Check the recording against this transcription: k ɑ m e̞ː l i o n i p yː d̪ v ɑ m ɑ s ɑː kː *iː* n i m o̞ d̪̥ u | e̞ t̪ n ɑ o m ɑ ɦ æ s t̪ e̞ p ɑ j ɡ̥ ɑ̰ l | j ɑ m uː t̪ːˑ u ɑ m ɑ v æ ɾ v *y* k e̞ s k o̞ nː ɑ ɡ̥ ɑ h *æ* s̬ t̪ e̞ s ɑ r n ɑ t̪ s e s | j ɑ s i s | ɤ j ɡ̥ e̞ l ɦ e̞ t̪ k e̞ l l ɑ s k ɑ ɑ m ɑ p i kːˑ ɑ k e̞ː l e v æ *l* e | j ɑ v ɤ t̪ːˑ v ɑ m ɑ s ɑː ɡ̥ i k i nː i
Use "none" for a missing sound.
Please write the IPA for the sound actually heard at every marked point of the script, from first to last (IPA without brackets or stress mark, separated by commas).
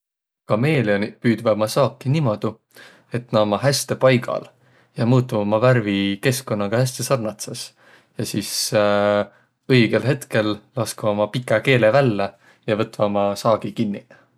i, i, æ, lː